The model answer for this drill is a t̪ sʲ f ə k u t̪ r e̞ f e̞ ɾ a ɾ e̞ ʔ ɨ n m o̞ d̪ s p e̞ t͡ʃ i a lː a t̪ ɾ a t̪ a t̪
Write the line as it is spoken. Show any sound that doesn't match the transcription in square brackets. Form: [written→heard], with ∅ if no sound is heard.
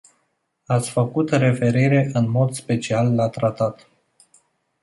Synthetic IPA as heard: a t̪ sʲ f ə k u t̪ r e̞ f e̞ ɾ [a→i] ɾ e̞ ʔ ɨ n m o̞ d̪ s p e̞ t͡ʃ i a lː a t̪ ɾ a t̪ a t̪